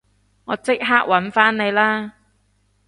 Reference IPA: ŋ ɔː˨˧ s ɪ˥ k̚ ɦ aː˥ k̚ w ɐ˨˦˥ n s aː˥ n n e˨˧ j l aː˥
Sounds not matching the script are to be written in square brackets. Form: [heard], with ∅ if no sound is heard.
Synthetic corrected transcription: ŋ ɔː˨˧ [t͡s] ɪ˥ k̚ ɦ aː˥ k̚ w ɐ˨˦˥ n [f] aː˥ n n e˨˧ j l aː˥